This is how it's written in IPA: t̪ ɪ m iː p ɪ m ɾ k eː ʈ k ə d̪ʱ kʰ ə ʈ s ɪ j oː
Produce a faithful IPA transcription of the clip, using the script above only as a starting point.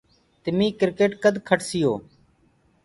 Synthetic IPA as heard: t̪ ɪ m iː k ɪ ɾ k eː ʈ k ə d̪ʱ kʰ ə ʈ s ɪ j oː